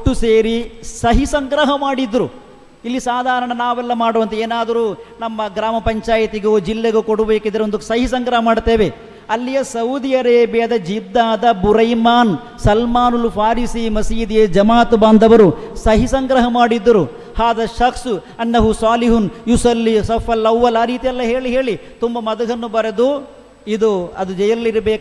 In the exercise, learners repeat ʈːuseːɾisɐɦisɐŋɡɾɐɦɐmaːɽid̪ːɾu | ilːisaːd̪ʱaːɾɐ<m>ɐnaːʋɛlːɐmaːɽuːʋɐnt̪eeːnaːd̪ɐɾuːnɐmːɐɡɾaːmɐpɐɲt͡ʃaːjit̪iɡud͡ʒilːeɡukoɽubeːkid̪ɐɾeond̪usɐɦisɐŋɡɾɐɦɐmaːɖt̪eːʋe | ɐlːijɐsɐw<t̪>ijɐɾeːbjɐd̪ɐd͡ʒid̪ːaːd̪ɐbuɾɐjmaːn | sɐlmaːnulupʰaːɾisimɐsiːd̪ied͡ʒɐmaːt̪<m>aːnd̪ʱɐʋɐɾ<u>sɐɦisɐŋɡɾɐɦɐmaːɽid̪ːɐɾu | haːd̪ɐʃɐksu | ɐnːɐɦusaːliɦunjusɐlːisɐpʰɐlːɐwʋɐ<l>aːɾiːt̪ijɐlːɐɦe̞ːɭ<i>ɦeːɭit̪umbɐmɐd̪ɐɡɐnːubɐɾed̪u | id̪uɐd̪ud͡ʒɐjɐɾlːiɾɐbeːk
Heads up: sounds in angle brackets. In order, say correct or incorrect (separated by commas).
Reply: incorrect, incorrect, incorrect, correct, correct, correct